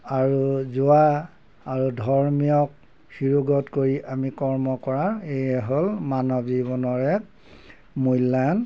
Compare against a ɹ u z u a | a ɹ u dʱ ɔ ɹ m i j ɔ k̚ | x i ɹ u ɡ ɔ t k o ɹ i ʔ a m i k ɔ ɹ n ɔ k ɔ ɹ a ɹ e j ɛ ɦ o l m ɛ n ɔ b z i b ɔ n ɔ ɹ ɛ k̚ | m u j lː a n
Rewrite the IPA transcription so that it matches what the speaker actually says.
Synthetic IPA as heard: a ɹ u z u a | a ɹ u dʱ ɔ ɹ m i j ɔ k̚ | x i ɹ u ɡ ɔ t k o ɹ i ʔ a m i k ɔ ɹ m ɔ k ɔ ɹ a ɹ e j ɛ ɦ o l m a n ɔ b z i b ɔ n ɔ ɹ ɛ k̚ | m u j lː a n